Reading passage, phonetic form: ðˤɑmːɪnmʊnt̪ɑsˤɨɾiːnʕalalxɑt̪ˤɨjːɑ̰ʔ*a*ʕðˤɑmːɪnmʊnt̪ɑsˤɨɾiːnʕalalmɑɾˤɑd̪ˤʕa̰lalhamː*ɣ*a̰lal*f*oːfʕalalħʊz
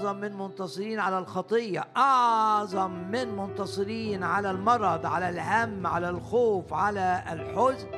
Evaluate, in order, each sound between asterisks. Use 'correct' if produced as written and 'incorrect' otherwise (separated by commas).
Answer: incorrect, incorrect, incorrect